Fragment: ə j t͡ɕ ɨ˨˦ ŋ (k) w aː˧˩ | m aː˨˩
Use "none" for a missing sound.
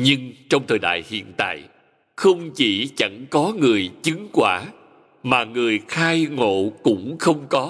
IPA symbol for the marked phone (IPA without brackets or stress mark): k